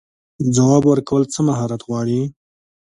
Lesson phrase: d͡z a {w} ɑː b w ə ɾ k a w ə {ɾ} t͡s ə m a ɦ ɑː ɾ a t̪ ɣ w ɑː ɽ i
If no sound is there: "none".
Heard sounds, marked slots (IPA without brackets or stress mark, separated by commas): w, l